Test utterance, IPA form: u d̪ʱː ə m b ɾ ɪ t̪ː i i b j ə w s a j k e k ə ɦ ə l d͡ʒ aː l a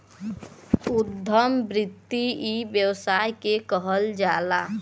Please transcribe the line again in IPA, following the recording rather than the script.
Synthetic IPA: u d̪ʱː ə m b ɾ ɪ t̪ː i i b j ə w s a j k e k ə ɦ ə l d͡ʒ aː l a